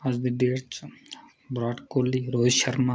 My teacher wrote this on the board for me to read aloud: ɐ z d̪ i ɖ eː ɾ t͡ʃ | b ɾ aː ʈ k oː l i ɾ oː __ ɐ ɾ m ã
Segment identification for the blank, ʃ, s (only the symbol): ʃ